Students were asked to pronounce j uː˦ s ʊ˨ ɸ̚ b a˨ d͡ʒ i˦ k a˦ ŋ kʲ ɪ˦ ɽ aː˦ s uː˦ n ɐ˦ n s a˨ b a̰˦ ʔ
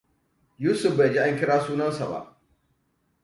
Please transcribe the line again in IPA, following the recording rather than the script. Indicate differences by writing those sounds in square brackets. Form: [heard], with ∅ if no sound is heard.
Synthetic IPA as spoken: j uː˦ s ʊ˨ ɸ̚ b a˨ d͡ʒ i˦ [ʔ] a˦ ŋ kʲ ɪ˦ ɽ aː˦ s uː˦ n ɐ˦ n s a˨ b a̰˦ ʔ